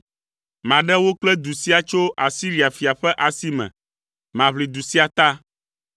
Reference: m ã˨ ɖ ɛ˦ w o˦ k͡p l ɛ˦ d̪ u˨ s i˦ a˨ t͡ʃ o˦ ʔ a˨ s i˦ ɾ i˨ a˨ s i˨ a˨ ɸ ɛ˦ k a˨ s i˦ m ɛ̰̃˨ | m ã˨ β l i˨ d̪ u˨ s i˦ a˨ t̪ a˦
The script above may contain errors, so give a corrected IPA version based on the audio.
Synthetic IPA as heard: m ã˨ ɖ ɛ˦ w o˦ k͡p l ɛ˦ d̪ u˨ s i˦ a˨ t͡ʃ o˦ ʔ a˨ s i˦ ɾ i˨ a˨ f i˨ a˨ ɸ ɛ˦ ʔ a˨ s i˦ m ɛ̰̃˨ | m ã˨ β l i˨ d̪ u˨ s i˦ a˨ t̪ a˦